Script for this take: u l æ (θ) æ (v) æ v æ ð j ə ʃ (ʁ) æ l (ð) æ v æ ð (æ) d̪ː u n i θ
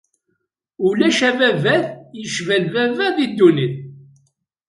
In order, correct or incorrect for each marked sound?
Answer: incorrect, correct, incorrect, incorrect, incorrect

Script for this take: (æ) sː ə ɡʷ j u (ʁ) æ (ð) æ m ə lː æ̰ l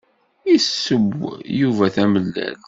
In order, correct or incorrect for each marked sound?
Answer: incorrect, incorrect, incorrect

